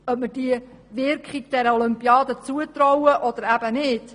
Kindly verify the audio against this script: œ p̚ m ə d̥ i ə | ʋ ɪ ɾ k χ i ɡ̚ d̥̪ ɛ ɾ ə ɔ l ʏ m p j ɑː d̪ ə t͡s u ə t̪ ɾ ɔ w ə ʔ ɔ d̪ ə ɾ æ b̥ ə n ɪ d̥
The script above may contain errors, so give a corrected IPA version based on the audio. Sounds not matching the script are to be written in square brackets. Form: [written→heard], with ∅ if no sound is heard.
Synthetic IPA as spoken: œ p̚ m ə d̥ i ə | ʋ ɪ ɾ k χ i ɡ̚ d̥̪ ɛ ɾ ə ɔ l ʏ m p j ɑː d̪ ə t͡s u ə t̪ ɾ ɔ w ə ʔ ɔ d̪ ə ɾ æ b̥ ə n ɪ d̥